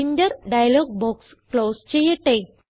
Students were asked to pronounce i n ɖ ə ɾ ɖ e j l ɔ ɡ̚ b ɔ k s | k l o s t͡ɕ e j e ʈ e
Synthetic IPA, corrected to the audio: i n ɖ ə ɾ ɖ a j l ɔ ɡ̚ b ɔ k s | k l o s t͡ɕ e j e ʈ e